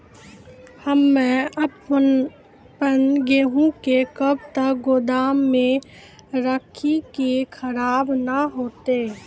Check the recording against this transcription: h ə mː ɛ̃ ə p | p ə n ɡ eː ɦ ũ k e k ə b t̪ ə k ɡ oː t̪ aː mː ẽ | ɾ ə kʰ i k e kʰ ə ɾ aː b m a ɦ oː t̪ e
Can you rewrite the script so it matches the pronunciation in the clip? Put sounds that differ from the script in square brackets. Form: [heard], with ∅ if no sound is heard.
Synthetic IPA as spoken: h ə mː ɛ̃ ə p | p ə n ɡ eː ɦ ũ k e k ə b t̪ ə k ɡ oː [d̪] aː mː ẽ | ɾ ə kʰ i k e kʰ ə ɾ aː b [n] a ɦ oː t̪ e